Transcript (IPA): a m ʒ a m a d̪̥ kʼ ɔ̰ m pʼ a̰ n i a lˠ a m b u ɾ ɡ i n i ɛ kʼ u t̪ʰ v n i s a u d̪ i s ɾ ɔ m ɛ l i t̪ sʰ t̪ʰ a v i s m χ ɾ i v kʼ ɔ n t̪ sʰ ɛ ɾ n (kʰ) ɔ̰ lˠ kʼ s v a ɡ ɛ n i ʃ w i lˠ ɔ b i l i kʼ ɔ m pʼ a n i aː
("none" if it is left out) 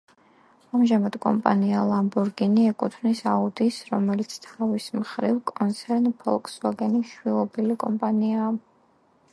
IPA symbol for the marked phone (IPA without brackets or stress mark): pʰ